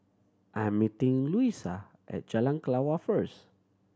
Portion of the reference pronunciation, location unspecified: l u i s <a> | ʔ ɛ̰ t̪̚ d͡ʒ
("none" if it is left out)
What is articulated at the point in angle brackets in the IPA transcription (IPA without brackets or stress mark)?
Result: a